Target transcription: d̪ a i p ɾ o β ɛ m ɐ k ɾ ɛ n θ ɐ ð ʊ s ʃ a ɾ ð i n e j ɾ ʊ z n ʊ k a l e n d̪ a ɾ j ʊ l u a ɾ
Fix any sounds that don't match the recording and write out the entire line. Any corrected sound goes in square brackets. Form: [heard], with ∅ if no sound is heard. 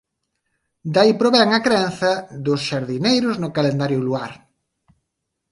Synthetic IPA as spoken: d̪ a i p ɾ o β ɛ [ŋ] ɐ k ɾ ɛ n θ ɐ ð ʊ s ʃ a ɾ ð i n e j ɾ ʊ z n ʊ k a l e n d̪ a ɾ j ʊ l u a ɾ